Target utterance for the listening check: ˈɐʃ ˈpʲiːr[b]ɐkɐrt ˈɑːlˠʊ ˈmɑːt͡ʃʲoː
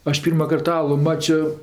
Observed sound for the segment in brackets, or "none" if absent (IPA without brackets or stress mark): m